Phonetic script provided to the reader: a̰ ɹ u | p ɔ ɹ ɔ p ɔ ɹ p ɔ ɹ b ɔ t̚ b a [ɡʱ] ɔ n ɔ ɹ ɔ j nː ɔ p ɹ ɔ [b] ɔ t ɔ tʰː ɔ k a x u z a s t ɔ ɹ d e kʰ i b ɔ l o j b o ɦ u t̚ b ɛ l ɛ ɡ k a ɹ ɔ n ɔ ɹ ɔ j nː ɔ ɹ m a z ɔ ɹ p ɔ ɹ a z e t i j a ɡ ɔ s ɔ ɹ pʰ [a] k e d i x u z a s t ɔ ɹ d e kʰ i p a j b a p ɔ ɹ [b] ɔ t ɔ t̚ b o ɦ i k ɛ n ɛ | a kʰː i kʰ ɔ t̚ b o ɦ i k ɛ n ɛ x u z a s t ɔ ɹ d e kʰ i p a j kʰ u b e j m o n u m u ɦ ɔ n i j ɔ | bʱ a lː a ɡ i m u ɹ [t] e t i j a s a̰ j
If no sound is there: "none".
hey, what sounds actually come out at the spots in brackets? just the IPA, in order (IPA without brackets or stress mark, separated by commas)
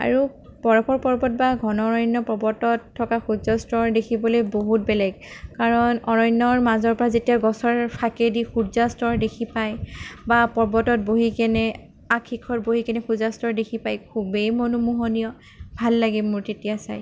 ɡʱ, b, a, b, t